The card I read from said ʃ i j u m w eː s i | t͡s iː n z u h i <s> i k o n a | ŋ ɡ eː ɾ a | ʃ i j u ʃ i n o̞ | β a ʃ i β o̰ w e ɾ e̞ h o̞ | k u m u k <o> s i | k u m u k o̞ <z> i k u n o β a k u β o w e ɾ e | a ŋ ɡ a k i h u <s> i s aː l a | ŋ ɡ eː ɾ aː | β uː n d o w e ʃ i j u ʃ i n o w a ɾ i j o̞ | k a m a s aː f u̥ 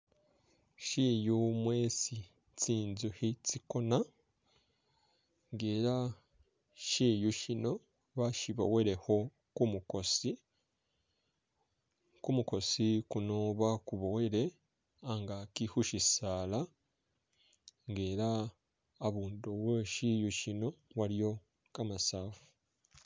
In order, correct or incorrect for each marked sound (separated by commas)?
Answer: incorrect, correct, incorrect, incorrect